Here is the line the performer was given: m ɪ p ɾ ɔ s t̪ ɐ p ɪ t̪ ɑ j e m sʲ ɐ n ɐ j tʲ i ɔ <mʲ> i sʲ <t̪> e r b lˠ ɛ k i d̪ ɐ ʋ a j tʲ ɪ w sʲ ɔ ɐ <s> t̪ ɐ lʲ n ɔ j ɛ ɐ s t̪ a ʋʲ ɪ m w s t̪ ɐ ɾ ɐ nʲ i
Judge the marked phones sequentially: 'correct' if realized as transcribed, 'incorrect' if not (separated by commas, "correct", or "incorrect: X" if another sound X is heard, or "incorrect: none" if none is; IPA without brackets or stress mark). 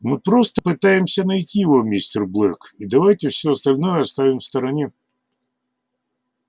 correct, correct, correct